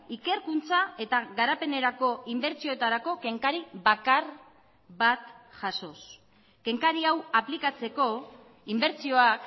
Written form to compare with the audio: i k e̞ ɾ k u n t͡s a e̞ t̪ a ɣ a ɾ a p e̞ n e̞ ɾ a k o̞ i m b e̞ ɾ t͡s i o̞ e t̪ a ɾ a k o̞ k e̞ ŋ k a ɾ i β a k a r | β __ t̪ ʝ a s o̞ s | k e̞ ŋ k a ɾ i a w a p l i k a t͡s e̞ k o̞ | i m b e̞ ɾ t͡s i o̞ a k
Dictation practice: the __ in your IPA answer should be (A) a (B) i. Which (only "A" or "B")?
A